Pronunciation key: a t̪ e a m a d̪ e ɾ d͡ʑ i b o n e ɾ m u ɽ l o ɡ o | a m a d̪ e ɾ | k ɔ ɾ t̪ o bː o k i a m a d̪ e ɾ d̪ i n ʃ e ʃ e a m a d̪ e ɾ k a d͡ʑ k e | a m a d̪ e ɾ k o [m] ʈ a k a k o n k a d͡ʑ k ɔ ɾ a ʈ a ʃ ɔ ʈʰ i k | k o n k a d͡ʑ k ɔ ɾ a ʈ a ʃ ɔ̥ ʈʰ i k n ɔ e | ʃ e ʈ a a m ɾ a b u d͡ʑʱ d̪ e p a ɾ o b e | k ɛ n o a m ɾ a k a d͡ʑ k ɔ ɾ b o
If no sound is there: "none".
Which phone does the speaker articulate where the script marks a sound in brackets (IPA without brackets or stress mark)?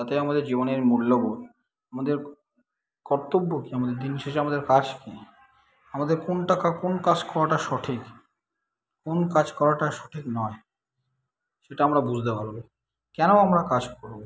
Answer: n